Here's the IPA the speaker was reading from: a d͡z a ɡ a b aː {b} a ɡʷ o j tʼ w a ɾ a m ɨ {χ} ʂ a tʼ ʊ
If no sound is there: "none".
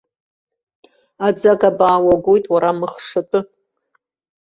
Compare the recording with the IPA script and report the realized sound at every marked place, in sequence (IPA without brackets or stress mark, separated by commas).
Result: w, χ